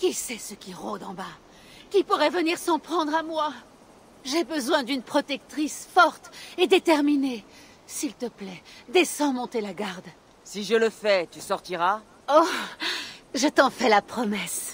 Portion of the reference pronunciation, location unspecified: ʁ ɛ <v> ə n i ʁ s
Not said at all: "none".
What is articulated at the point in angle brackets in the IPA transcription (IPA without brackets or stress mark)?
v